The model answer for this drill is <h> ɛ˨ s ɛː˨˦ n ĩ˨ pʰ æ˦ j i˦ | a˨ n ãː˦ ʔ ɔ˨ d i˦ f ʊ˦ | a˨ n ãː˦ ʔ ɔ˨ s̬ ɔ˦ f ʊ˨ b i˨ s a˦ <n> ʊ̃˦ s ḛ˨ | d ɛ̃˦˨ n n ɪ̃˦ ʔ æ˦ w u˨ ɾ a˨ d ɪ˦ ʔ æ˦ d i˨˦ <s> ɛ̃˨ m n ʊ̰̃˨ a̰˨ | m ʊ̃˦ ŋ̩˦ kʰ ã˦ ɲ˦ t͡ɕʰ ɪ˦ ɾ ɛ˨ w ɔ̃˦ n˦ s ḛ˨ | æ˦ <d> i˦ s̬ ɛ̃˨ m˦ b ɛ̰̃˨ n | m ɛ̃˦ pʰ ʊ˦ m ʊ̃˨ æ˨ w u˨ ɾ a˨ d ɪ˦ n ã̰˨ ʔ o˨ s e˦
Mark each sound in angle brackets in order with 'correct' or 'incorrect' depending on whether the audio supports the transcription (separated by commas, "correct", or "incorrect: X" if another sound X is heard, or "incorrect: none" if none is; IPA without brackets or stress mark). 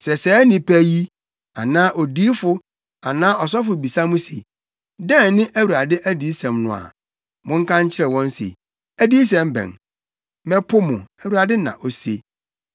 incorrect: s, incorrect: m, correct, correct